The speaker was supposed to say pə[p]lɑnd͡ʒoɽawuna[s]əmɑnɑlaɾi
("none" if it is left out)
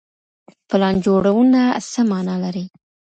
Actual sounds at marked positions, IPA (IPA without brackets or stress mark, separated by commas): none, s